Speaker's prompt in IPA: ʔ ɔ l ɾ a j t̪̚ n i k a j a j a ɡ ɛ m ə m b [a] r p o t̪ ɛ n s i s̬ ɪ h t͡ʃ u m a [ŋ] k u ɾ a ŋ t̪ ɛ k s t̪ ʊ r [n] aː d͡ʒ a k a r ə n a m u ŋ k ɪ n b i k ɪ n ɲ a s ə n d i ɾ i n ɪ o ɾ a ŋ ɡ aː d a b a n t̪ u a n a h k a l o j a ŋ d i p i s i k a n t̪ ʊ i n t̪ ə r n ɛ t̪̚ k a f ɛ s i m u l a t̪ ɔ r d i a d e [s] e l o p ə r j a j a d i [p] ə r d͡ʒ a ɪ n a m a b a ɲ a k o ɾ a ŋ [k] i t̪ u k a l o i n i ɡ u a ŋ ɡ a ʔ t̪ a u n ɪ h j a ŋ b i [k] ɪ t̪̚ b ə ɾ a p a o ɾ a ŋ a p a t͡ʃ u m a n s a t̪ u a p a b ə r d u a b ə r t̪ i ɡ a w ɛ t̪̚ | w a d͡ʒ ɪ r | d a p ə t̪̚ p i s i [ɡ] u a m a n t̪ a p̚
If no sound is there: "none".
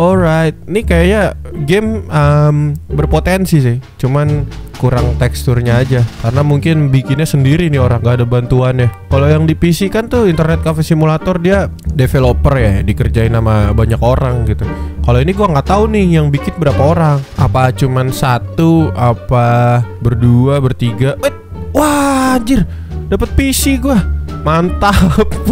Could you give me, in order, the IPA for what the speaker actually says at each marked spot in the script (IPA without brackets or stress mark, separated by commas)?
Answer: ə, n, ɲ, f, k, ɡ, k, ɡ